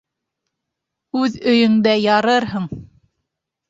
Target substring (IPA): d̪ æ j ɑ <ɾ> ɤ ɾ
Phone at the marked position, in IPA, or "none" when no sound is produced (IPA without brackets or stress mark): ɾ